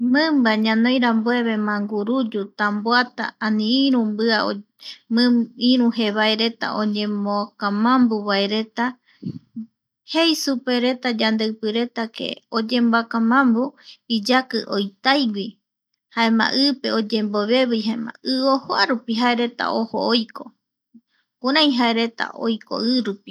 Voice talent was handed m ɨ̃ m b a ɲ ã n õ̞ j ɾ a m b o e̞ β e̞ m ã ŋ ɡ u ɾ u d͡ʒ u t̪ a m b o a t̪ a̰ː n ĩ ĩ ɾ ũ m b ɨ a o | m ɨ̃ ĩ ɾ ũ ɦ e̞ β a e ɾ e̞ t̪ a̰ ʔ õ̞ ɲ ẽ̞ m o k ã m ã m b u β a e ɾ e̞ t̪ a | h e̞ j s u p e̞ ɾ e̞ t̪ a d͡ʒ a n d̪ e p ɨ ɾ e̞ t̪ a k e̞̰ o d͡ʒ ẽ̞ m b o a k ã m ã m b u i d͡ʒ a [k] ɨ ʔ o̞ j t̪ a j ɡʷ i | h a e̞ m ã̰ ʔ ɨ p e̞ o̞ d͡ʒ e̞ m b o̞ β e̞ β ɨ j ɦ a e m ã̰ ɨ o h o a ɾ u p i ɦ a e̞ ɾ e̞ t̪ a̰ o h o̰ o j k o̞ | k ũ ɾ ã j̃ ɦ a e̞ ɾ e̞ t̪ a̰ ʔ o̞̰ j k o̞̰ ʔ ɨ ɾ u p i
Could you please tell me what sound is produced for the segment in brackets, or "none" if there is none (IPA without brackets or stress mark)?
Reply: k